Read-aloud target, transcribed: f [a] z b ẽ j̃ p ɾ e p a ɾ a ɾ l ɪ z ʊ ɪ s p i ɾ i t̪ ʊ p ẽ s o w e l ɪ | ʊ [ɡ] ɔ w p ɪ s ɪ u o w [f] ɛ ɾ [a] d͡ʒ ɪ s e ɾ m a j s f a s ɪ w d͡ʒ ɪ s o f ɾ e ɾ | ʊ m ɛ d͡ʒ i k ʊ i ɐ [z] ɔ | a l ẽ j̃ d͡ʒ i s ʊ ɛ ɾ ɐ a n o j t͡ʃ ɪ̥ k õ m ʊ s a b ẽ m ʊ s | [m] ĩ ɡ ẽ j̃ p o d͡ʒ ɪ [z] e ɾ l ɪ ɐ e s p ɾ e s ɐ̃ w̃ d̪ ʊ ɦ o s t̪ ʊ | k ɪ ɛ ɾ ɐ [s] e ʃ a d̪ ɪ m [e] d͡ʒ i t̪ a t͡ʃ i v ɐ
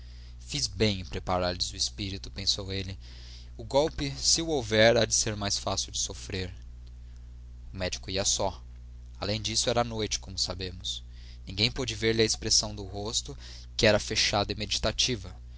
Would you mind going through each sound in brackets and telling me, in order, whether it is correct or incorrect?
incorrect, correct, incorrect, correct, incorrect, incorrect, incorrect, incorrect, correct

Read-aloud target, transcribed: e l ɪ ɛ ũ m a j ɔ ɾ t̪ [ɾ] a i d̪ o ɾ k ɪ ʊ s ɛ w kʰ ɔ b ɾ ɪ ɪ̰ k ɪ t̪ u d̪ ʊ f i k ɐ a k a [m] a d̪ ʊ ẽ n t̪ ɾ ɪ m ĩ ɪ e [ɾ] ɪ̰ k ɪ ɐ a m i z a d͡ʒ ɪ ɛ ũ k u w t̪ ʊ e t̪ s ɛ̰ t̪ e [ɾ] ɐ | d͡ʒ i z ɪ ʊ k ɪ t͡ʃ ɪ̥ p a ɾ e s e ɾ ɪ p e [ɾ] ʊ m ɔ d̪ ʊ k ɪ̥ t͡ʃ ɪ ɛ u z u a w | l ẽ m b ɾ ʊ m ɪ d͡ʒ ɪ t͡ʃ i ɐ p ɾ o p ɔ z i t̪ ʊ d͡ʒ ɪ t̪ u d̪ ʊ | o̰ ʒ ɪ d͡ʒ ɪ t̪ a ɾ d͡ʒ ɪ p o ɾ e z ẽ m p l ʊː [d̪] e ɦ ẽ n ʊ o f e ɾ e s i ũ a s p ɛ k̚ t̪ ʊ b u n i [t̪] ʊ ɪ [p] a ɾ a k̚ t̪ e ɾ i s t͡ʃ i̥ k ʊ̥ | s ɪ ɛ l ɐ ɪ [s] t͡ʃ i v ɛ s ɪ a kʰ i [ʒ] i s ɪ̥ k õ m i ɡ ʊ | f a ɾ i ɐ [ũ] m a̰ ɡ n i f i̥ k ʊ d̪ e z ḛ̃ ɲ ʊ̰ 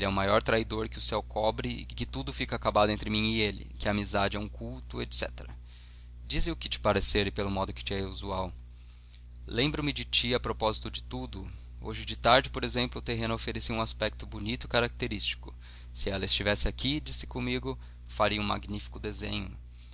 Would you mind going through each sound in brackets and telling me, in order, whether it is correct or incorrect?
correct, incorrect, incorrect, correct, incorrect, incorrect, correct, incorrect, correct, incorrect, correct

